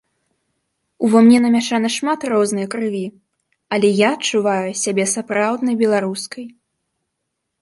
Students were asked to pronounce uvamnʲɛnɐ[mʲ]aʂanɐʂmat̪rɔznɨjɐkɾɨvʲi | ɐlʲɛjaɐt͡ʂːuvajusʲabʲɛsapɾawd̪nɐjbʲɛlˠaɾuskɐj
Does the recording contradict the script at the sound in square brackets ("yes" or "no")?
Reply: no